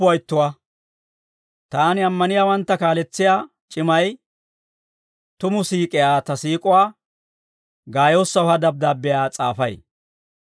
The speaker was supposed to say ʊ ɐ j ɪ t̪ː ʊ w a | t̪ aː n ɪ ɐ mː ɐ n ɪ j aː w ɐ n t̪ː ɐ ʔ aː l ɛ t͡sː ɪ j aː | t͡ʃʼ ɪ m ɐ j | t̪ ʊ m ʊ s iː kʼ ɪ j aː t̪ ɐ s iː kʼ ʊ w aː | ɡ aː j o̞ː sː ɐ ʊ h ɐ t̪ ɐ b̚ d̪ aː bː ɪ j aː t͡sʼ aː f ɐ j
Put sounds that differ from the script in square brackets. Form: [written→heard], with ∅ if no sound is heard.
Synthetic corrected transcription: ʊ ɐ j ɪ t̪ː ʊ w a | t̪ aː n ɪ ɐ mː ɐ n ɪ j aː w ɐ n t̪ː ɐ [ʔ→k] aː l ɛ t͡sː ɪ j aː | t͡ʃʼ ɪ m ɐ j | t̪ ʊ m ʊ s iː kʼ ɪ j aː t̪ ɐ s iː kʼ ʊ w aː | ɡ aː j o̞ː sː ɐ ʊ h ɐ [t̪→d̪] ɐ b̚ d̪ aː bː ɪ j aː t͡sʼ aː f ɐ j